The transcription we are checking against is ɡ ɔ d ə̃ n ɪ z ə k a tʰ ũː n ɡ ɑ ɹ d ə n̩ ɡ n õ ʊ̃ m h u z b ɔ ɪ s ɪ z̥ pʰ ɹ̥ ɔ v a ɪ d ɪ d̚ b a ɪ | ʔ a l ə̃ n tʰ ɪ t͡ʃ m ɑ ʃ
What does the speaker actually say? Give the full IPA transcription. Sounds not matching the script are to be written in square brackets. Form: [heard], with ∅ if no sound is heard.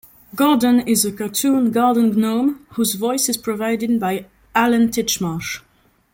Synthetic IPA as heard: ɡ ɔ d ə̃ n ɪ z ə k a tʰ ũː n ɡ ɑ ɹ d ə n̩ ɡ n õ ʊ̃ m h u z [v] ɔ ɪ s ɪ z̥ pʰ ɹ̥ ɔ v a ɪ d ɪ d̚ b a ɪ | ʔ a l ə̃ n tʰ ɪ t͡ʃ m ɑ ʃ

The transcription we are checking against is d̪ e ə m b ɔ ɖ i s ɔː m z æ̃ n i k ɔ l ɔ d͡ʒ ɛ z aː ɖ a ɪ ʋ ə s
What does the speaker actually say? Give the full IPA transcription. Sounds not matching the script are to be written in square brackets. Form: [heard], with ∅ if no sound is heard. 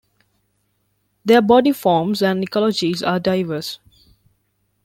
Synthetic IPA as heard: d̪ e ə [∅] b ɔ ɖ i [f] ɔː m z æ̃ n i k ɔ l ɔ d͡ʒ [i] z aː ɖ a ɪ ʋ ə s

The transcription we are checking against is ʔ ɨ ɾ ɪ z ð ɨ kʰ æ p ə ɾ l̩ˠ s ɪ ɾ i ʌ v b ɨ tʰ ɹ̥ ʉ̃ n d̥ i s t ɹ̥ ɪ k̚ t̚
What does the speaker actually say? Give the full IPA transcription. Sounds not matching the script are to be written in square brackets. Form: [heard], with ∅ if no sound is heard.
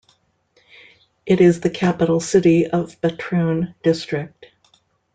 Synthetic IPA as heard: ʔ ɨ ɾ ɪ z ð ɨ kʰ æ p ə ɾ l̩ˠ s ɪ ɾ i ʌ v b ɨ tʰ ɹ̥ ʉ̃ n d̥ [ɪ] s t ɹ̥ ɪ k̚ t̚

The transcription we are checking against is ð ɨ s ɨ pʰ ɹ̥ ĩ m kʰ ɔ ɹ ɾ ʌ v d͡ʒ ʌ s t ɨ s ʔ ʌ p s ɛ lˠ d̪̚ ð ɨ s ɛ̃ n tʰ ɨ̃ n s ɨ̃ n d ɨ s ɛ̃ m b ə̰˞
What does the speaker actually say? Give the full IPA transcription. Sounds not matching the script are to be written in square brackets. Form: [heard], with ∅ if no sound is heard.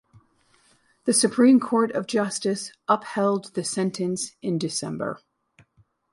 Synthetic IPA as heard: ð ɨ s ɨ pʰ ɹ̥ ĩ m kʰ ɔ ɹ ɾ ʌ v d͡ʒ ʌ s t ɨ s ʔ ʌ p [h] ɛ lˠ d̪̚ ð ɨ s ɛ̃ n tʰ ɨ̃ n s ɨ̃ n d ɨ s ɛ̃ m b ə̰˞

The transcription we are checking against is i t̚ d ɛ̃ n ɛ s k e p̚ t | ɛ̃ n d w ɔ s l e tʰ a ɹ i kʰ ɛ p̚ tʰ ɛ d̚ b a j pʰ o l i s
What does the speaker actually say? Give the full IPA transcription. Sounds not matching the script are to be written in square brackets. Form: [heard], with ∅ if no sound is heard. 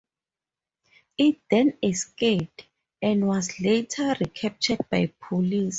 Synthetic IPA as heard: i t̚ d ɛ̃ n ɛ s k e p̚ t | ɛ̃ n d w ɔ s l e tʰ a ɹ i kʰ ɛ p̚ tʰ ɛ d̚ b a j pʰ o l i s

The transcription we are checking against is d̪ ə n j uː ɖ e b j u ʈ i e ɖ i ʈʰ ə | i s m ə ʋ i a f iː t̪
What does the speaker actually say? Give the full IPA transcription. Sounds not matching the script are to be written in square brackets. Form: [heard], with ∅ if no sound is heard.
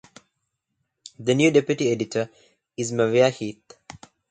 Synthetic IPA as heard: d̪ ə n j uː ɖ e [p] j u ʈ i e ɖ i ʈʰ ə | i [z] m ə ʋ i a [h] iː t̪

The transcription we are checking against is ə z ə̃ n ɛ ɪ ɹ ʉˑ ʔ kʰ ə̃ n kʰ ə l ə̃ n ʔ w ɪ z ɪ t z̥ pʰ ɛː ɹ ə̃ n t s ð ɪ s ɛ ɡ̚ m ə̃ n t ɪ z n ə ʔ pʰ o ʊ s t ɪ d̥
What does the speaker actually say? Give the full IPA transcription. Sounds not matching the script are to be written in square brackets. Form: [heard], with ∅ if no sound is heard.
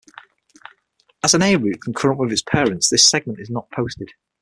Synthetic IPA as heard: ə z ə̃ n ɛ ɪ ɹ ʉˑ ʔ kʰ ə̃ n kʰ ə [ɹ] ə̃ n ʔ w ɪ [ð] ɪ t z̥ pʰ ɛː ɹ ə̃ n t s ð ɪ s ɛ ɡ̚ m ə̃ n t ɪ z n ə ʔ pʰ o ʊ s t ɪ d̥

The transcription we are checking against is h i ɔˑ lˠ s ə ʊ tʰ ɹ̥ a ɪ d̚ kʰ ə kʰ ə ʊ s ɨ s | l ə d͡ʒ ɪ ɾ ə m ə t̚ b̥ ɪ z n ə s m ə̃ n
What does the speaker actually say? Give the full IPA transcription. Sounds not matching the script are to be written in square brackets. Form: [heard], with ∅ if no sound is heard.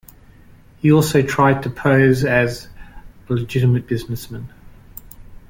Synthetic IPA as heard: h i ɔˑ lˠ s ə ʊ tʰ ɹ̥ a ɪ d̚ [tʰ] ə [pʰ] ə ʊ [z] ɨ [z] | l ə d͡ʒ ɪ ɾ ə m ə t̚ b̥ ɪ z n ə s m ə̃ n

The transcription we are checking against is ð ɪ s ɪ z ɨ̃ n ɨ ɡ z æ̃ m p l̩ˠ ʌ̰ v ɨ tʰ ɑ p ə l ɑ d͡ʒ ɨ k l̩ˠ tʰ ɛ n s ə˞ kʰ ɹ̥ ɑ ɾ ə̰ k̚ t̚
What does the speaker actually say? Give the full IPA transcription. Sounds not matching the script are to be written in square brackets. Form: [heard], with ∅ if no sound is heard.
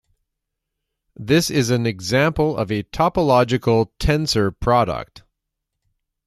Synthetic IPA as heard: ð ɪ s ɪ z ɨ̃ n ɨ ɡ z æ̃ m p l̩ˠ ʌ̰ v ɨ tʰ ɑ p ə l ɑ d͡ʒ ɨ k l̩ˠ tʰ [ɛ̃] n s ə˞ [pʰ] ɹ̥ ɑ ɾ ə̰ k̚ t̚

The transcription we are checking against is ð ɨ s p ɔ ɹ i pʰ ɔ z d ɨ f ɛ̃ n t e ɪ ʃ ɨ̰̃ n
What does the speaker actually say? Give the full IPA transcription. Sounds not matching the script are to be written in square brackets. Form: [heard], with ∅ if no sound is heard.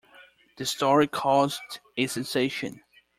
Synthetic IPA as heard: ð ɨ s [t] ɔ ɹ i [kʰ] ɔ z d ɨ [s] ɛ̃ n [s] e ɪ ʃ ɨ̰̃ n

